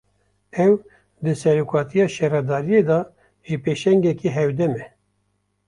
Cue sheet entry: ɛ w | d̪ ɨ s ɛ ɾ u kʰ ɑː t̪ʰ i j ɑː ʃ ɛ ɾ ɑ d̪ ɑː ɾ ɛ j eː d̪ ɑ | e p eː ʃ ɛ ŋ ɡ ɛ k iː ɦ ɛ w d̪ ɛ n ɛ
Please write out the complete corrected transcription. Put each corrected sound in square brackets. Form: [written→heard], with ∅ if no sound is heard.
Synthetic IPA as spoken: ɛ w | d̪ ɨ s ɛ ɾ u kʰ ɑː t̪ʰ i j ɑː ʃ ɛ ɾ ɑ d̪ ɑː ɾ [ɛ→i] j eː d̪ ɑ | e p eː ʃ ɛ ŋ ɡ ɛ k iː ɦ ɛ w d̪ ɛ [n→m] ɛ